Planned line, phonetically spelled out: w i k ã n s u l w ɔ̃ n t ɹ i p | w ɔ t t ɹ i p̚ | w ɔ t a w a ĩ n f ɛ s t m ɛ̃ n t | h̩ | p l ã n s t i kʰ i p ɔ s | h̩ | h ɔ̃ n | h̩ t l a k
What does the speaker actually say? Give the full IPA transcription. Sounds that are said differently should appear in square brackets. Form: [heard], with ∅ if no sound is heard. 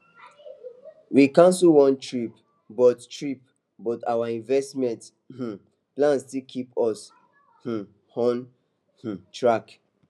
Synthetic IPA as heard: w i k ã n s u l w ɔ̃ n t ɹ i p | [b] ɔ t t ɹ i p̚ | [b] ɔ t a w a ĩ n [v] ɛ s t m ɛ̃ n t | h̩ | p l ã n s t i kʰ i p ɔ s | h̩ | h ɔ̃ n | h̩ t [ɹ] a k